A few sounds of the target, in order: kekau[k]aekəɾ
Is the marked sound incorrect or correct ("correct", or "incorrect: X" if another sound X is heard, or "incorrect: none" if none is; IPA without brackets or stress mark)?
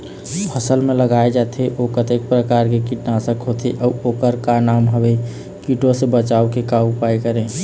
incorrect: p